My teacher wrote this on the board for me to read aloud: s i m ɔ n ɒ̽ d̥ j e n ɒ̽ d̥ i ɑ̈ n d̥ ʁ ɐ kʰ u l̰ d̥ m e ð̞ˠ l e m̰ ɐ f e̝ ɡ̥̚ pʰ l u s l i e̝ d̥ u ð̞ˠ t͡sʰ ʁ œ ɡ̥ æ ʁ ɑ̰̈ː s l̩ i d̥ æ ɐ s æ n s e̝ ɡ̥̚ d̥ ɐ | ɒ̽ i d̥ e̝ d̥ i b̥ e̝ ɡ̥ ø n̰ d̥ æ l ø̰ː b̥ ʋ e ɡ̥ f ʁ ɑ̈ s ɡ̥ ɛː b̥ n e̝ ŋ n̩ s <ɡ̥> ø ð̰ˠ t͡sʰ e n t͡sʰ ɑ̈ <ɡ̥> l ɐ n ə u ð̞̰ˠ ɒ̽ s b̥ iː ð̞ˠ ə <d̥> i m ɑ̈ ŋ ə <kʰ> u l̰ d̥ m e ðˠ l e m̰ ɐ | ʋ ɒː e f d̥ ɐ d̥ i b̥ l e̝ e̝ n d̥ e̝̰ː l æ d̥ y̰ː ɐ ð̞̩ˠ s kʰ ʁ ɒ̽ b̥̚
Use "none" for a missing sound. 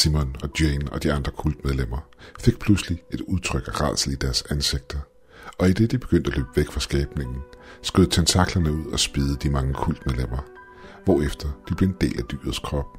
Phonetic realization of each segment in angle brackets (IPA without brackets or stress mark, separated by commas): ɡ̥, ɡ̥, d̥, kʰ